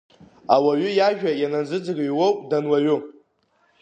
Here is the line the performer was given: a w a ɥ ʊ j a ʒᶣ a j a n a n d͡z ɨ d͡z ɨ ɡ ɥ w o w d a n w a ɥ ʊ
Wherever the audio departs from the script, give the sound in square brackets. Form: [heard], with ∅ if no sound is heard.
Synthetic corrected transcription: a w a ɥ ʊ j a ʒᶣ a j a n a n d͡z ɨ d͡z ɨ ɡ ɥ w o w d a n w a ɥ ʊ